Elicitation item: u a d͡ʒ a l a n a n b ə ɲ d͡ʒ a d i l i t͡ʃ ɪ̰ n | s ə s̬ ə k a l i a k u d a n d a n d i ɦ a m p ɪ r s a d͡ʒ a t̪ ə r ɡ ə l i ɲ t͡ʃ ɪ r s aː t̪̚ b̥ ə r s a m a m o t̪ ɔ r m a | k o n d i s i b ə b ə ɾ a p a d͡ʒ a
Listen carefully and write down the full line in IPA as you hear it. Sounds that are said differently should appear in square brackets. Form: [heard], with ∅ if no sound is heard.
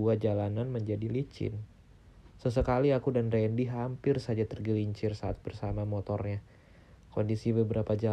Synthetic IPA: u a d͡ʒ a l a n a n [m] ə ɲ d͡ʒ a d i l i t͡ʃ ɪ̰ n | s ə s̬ ə k a l i a k u d a n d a n d i ɦ a m p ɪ r s a d͡ʒ a t̪ ə r ɡ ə l i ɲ t͡ʃ ɪ r s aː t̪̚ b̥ ə r s a m a m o t̪ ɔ r [ɲ] a | k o n d i s i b ə b ə ɾ a p a d͡ʒ a